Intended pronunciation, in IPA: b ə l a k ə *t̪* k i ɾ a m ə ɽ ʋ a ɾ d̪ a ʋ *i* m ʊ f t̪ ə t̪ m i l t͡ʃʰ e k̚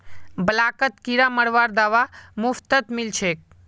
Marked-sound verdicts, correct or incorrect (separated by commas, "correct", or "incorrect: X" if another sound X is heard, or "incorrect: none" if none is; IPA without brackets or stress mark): correct, incorrect: a